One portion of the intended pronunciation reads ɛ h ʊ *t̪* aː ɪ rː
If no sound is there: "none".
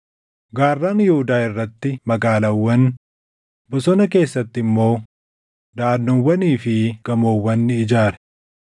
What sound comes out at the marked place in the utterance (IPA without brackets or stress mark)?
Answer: d̪